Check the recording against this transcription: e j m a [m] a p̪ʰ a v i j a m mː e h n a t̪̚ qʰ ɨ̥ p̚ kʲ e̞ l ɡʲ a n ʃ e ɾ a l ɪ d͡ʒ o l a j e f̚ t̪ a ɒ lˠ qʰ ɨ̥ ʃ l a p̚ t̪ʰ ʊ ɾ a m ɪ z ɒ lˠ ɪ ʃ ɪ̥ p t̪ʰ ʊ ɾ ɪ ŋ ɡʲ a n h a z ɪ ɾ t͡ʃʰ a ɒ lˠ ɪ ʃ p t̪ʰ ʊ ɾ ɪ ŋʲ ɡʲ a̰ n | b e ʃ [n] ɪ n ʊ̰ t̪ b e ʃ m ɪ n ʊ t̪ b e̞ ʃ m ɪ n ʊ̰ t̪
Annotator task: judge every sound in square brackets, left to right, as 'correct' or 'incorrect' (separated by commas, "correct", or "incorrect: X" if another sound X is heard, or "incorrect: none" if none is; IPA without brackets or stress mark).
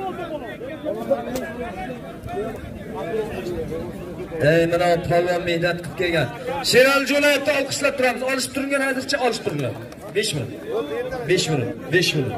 incorrect: n, incorrect: m